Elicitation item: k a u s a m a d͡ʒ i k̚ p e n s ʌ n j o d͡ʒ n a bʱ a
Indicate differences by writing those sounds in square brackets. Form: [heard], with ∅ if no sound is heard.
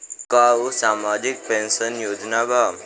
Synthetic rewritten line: k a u s a m a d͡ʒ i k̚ p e n s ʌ n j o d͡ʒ n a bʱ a